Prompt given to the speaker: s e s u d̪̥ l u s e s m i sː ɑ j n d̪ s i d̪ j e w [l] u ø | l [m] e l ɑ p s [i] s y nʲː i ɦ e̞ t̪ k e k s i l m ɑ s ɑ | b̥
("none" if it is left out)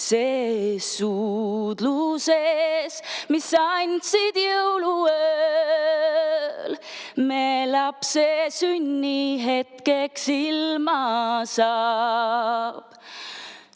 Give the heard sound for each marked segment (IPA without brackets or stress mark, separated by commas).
l, m, e